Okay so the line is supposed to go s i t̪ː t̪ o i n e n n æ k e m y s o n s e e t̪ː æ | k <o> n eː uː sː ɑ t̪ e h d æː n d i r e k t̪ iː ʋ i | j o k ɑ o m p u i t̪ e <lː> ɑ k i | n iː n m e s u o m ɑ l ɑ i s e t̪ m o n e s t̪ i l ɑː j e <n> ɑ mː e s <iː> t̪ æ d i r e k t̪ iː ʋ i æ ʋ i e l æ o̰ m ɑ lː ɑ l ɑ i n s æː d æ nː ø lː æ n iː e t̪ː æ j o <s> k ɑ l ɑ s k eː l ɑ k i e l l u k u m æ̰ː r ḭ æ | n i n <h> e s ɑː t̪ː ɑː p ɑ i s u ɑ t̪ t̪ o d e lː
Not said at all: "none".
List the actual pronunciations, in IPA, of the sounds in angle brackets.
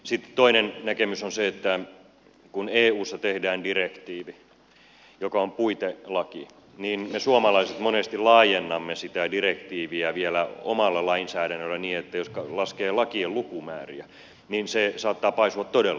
u, l, nː, i, s, s

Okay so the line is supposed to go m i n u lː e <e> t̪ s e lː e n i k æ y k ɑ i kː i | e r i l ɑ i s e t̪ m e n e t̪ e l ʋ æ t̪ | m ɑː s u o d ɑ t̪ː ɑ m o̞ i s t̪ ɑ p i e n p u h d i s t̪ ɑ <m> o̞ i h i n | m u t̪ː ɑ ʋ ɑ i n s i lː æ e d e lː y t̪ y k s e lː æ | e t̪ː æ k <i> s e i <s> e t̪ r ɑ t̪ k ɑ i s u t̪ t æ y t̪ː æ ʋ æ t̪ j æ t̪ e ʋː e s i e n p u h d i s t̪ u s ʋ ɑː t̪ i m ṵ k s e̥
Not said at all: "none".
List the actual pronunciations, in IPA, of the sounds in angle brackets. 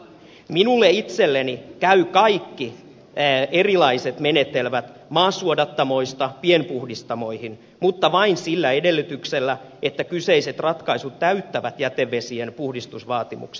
i, m, y, s

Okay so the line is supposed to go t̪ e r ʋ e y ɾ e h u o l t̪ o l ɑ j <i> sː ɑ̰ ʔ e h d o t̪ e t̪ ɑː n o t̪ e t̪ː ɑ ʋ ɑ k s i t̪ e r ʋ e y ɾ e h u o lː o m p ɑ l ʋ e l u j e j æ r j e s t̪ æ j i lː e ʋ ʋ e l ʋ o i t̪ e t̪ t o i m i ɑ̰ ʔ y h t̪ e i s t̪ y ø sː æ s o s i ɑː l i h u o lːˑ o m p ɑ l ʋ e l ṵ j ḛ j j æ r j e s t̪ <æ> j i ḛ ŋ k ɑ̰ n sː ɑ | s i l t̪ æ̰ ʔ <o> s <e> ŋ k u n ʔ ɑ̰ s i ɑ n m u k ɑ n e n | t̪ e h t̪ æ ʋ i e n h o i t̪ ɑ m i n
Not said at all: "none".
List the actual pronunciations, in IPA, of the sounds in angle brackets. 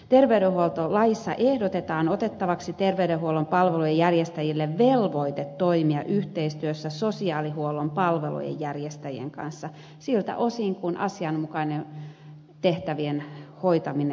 i, æ, o, i

